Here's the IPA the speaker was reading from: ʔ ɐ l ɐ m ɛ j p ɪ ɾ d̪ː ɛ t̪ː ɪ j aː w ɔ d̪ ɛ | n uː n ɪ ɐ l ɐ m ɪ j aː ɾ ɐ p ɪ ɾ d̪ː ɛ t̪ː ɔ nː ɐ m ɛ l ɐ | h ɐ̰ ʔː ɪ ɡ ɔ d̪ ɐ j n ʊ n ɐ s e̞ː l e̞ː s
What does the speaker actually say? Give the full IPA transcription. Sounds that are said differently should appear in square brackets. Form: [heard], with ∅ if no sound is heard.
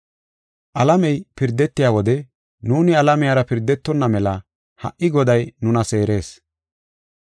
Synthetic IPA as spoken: ʔ ɐ l ɐ m ɛ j p ɪ ɾ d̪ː ɛ t̪ː ɪ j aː w ɔ d̪ ɛ | n uː n ɪ ɐ l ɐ m ɪ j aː ɾ ɐ p ɪ ɾ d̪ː ɛ t̪ː ɔ nː ɐ m ɛ l ɐ | h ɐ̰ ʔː ɪ ɡ ɔ d̪ ɐ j n ʊ n ɐ s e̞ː [ɾ] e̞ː s